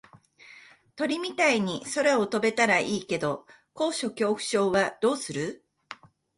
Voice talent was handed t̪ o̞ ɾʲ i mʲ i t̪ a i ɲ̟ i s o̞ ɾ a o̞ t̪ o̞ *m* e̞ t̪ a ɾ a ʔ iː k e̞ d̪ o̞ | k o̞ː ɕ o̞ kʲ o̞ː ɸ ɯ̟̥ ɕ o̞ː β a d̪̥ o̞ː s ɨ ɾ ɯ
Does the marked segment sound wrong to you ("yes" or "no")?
yes